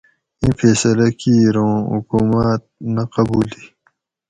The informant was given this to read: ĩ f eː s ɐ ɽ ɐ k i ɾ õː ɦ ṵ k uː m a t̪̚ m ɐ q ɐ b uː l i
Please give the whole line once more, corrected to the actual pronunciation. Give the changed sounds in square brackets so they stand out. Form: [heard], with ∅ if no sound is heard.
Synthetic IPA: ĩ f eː s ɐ [l] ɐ k i ɾ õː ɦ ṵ k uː m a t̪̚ [n] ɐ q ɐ b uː l i